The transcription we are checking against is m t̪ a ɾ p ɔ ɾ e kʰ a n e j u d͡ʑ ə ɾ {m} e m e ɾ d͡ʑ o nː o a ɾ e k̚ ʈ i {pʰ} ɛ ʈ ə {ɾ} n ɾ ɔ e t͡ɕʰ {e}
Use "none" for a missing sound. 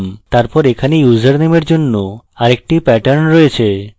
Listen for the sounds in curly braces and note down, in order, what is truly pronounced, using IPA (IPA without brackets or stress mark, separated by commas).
n, p, ɾ, e